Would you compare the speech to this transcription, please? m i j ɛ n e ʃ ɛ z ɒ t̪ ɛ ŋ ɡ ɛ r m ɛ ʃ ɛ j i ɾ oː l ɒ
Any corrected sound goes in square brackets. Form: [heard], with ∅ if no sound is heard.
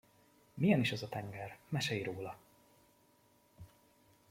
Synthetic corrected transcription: m i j ɛ n [i] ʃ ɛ z ɒ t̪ ɛ ŋ ɡ ɛ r m ɛ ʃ ɛ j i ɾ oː l ɒ